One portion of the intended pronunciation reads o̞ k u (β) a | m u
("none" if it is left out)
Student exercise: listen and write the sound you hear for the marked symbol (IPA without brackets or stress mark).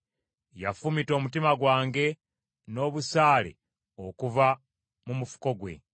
v